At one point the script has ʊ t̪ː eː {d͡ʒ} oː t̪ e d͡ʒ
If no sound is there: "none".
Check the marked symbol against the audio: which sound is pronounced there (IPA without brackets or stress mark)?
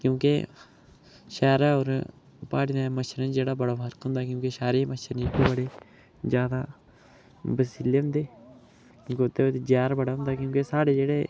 none